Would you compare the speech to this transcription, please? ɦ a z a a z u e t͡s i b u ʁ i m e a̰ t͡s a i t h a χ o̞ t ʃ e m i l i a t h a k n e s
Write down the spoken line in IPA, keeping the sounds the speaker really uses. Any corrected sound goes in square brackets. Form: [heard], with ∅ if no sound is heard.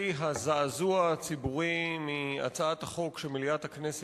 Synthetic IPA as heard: ɦ a z a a z u [a] t͡s i b u ʁ i m [i] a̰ t͡s a [a] t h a χ o̞ [k] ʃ e m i l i a t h a k n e s